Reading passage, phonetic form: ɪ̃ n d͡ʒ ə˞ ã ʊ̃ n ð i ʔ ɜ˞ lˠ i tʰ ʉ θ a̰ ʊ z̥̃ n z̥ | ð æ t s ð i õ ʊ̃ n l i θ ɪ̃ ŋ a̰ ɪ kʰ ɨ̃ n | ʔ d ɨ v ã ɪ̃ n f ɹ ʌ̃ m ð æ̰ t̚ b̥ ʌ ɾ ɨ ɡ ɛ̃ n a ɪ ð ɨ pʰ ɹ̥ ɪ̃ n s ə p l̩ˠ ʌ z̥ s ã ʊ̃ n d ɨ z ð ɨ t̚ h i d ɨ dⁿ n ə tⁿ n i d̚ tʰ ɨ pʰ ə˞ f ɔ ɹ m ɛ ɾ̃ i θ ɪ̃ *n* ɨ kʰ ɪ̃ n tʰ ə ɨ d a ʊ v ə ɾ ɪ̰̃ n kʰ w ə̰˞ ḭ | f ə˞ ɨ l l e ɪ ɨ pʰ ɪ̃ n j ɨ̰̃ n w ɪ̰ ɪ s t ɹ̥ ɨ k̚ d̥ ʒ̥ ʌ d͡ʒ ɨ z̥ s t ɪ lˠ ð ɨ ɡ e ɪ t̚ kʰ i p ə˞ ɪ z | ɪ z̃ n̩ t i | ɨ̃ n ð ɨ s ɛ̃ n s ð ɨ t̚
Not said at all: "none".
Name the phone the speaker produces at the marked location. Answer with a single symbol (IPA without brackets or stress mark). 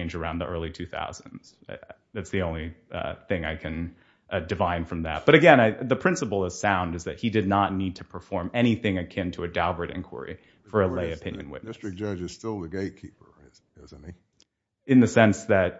ŋ